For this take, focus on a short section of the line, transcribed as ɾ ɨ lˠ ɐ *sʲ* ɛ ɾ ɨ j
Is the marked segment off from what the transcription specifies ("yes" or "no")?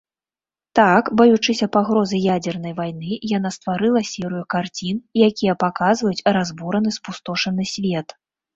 no